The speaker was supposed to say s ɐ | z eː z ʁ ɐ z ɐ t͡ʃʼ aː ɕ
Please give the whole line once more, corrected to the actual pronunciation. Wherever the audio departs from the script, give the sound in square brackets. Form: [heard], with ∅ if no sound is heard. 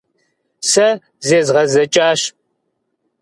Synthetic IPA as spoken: s ɐ | z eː z ʁ ɐ z ɐ t͡ʃʼ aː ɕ